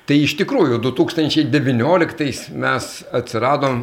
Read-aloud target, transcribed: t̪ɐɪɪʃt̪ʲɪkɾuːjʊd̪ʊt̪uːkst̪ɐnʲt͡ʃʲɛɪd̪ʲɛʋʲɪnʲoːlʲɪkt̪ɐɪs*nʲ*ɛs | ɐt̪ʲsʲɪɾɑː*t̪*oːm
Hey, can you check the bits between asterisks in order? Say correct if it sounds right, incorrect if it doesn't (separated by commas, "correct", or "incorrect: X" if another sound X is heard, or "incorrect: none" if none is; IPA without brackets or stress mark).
incorrect: mʲ, incorrect: d̪